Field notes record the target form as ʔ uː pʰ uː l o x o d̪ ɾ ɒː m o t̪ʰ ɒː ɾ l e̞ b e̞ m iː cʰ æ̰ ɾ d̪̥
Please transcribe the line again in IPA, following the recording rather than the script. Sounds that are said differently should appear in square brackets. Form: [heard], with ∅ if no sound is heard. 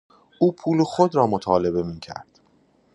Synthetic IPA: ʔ uː pʰ uː l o x o d̪ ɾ ɒː m o t̪ʰ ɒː [∅] l e̞ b e̞ m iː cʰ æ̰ ɾ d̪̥